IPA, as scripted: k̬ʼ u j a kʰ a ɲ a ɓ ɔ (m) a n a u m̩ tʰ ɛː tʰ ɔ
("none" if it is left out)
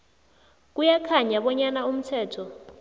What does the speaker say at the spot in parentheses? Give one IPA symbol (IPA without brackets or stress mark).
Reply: ɲ